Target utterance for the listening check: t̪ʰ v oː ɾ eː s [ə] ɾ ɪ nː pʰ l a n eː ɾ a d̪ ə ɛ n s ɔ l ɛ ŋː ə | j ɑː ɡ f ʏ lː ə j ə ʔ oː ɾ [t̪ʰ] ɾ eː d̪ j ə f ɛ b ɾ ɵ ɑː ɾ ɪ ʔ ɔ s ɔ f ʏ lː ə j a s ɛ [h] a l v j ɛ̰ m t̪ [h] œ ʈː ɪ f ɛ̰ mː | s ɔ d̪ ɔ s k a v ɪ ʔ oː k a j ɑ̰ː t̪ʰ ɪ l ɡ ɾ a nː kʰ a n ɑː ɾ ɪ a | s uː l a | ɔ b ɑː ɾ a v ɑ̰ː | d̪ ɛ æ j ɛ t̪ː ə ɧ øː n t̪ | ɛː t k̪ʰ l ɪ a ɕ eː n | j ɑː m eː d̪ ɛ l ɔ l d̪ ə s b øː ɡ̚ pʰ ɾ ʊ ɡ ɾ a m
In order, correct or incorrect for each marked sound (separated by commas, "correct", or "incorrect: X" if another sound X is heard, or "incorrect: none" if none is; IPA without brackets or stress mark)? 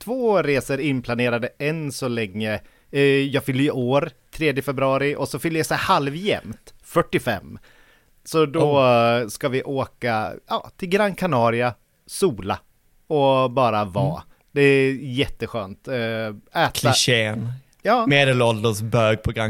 correct, correct, correct, incorrect: f